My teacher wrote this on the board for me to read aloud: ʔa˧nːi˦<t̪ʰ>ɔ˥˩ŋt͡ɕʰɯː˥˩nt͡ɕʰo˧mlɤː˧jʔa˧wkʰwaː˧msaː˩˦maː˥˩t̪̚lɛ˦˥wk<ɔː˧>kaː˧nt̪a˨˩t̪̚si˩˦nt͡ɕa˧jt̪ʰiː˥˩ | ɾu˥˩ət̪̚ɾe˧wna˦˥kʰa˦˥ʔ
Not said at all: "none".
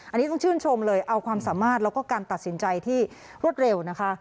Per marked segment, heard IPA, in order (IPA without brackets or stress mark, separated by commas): t̪, ɔː˥˩